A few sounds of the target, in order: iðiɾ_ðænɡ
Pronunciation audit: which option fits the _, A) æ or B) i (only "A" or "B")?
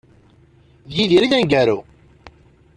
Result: B